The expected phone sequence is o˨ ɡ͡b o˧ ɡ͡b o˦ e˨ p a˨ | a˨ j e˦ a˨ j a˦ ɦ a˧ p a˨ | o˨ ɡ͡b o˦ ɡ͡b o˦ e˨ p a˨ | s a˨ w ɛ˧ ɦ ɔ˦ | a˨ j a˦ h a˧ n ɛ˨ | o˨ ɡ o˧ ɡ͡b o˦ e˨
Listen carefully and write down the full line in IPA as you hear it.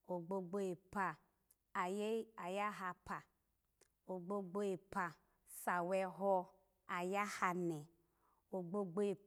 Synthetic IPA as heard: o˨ ɡ͡b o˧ ɡ͡b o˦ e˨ p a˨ | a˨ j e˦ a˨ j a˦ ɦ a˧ p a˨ | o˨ ɡ͡b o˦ ɡ͡b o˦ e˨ p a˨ | s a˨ w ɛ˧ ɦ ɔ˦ | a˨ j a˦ h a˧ n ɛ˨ | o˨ ɡ͡b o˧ ɡ͡b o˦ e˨